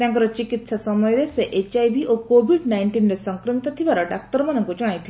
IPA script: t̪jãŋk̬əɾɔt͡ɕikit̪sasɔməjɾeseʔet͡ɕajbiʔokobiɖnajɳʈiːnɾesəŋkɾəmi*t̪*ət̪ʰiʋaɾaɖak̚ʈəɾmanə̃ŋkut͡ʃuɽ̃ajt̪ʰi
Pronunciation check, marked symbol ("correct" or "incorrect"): correct